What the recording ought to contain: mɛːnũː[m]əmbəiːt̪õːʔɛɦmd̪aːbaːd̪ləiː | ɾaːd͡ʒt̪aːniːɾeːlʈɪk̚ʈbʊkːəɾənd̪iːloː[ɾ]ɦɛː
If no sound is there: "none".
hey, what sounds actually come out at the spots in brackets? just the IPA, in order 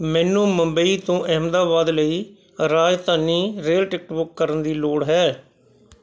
m, ɽ

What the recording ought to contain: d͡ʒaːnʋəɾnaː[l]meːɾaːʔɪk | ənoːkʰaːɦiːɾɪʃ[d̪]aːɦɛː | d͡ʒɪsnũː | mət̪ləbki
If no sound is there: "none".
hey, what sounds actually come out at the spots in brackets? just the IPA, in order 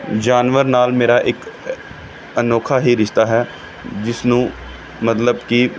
l, t̪

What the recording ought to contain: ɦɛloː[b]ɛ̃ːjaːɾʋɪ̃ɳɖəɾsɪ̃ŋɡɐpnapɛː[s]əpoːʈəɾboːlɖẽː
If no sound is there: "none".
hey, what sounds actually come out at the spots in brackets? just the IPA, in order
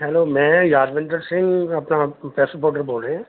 m, s

